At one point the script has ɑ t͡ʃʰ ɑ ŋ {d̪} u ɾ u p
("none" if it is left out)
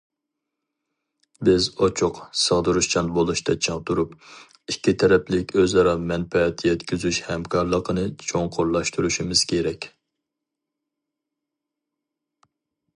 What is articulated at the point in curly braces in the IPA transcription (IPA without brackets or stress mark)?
t̪